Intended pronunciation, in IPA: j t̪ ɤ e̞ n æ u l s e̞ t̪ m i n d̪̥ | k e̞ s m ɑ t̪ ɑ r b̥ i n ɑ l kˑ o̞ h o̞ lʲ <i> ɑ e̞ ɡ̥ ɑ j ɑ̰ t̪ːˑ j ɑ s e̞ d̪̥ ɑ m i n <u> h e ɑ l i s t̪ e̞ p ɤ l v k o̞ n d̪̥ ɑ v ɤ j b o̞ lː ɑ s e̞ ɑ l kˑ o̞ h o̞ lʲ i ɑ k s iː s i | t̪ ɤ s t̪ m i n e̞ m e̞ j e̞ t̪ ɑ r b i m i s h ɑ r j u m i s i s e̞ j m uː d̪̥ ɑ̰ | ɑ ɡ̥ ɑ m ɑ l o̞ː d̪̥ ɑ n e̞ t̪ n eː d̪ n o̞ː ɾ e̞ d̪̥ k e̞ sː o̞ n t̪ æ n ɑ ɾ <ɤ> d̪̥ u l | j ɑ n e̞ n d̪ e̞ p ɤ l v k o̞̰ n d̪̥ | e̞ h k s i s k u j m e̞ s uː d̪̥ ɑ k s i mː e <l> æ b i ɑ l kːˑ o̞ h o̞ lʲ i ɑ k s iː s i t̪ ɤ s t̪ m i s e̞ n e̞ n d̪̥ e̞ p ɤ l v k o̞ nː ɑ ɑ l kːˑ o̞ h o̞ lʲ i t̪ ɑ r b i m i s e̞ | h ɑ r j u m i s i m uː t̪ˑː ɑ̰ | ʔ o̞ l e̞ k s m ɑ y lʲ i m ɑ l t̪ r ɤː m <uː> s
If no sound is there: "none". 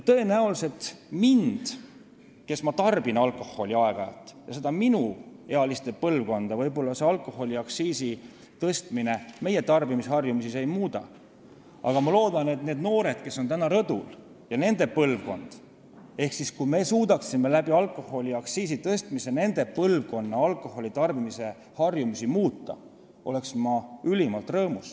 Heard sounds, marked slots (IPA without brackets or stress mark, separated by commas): i, u, ɤ, l, u